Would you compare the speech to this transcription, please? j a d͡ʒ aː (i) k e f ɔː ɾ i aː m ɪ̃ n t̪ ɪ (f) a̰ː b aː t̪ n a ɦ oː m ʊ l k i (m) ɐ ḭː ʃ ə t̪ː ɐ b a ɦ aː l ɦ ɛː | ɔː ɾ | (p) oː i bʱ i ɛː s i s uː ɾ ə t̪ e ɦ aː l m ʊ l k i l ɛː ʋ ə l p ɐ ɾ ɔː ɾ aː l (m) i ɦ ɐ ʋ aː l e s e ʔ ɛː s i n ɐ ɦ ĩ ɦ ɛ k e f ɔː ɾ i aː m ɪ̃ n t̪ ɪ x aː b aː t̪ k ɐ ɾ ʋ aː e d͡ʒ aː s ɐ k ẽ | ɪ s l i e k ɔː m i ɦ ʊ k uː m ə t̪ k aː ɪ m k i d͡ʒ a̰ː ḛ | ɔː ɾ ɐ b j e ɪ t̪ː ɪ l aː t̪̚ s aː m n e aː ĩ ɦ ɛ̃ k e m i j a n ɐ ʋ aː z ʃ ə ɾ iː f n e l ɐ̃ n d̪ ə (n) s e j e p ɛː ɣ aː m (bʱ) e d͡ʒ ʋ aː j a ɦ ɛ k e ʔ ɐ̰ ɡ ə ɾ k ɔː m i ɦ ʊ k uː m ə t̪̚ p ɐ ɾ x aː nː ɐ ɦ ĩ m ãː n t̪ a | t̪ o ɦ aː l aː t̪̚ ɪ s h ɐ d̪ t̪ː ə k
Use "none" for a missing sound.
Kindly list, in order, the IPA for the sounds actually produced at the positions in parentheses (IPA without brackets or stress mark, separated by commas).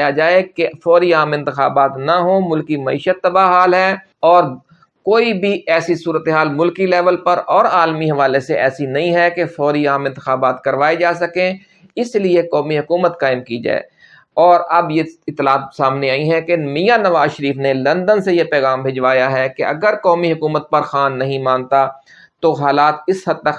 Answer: e, x, m, k, m, n, bʱ